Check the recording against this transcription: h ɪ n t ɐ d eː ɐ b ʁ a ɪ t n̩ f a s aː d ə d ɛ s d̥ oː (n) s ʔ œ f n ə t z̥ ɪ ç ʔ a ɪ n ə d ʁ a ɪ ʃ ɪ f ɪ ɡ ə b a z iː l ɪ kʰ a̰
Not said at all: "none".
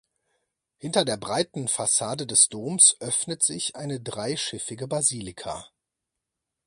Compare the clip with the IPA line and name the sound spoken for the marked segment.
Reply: m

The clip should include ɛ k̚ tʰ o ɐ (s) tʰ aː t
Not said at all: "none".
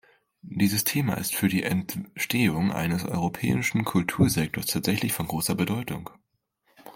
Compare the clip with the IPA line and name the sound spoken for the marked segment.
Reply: s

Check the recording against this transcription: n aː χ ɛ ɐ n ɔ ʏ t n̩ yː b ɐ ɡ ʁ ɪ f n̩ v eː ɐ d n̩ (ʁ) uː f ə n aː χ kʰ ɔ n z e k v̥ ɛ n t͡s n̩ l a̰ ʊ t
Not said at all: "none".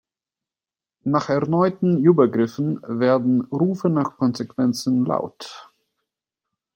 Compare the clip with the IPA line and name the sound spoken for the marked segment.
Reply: ʁ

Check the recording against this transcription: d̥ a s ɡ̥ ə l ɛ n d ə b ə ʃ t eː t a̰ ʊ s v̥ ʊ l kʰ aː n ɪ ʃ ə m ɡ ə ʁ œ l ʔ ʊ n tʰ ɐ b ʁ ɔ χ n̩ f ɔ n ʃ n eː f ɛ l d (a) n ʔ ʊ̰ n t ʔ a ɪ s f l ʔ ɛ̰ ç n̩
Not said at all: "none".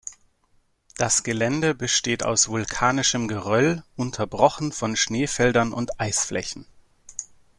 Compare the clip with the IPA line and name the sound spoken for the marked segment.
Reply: ɐ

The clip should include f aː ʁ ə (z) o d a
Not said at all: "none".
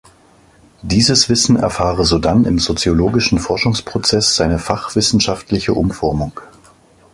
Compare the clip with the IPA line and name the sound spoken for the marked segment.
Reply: z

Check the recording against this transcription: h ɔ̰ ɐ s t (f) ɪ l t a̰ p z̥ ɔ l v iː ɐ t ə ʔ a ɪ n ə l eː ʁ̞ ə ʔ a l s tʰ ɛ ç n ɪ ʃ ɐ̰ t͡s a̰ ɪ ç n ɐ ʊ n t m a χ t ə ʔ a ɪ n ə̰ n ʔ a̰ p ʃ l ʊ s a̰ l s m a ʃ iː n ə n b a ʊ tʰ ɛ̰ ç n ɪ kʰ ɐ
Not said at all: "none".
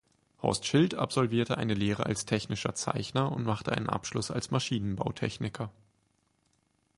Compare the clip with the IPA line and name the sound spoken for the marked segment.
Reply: ʃ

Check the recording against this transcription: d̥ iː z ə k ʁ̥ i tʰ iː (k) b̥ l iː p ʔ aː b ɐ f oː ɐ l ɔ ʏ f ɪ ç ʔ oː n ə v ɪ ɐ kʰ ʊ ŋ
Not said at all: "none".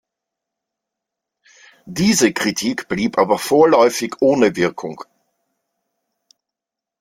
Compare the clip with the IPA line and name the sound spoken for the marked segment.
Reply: k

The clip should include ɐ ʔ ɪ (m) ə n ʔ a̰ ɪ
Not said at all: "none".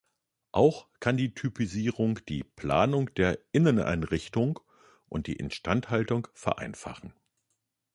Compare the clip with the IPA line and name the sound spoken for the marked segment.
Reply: n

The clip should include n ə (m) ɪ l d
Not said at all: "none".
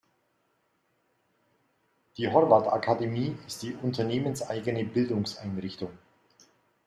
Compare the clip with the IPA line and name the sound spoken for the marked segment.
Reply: b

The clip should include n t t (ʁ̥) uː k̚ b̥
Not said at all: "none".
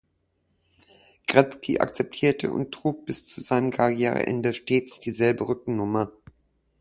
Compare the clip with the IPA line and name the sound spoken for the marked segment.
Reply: ʁ̥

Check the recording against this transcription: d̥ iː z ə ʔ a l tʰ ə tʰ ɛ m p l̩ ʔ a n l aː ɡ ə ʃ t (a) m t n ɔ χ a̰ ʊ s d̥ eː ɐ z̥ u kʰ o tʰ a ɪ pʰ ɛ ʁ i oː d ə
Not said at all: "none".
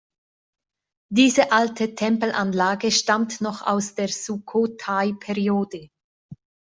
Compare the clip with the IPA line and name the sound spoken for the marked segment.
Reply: a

